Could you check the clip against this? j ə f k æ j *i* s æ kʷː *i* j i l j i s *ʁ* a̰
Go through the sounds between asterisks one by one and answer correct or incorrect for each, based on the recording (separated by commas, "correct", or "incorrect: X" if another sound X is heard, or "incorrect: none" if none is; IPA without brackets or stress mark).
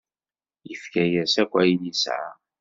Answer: incorrect: æ, incorrect: æ, incorrect: ʕ